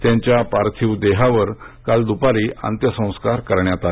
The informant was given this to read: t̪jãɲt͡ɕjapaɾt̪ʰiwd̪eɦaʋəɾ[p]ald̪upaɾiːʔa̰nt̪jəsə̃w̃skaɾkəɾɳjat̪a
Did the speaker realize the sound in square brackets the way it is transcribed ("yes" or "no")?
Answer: no